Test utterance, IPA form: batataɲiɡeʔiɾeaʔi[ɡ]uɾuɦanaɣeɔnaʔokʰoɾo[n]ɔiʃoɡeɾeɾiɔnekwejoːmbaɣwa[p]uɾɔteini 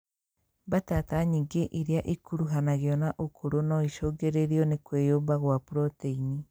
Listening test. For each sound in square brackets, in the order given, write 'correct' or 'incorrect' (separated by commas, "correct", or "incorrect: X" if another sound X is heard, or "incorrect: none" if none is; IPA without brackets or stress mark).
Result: incorrect: k, correct, correct